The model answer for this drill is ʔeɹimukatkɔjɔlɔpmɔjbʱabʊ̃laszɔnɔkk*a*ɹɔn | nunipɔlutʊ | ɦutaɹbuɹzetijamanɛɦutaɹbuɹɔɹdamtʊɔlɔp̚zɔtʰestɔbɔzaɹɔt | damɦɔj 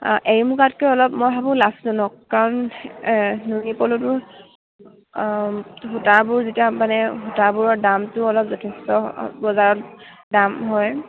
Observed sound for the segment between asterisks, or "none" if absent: a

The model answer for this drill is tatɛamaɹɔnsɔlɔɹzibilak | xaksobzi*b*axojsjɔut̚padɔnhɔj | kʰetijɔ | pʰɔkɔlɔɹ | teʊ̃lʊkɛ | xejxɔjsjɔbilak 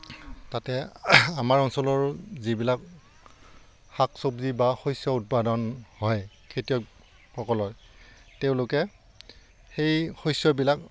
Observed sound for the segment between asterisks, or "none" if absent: b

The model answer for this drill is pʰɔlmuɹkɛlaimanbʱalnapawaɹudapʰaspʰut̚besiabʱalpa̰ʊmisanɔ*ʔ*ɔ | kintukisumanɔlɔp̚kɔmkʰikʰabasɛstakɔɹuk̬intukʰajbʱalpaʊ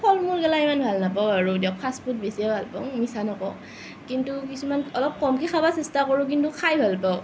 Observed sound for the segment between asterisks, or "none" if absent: k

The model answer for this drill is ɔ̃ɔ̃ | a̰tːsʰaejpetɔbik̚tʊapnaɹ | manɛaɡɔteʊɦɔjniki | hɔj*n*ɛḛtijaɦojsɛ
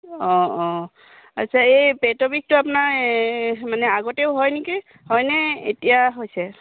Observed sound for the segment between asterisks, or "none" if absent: n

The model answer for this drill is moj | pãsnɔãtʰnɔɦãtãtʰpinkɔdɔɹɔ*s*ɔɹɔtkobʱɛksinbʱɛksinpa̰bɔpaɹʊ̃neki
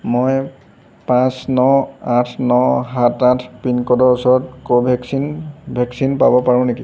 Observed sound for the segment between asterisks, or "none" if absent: s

